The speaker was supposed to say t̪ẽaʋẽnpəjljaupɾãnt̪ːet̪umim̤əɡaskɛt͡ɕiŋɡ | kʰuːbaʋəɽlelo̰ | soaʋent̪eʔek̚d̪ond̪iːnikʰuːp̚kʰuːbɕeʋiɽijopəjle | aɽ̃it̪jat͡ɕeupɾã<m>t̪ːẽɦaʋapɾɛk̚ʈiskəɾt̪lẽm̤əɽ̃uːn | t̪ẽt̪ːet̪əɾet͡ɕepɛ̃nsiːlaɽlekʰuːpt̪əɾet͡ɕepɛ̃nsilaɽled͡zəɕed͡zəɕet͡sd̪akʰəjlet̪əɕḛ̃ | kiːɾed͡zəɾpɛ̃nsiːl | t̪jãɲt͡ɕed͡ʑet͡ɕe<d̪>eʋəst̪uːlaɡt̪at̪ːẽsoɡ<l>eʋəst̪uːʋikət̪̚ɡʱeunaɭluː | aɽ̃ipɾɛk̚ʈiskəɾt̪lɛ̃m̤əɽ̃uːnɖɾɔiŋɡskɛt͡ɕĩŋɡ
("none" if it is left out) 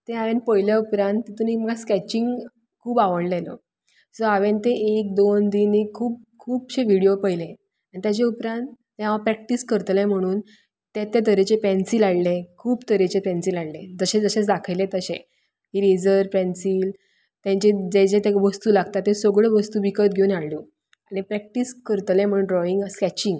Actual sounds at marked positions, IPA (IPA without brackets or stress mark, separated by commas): n, t̪, ɭ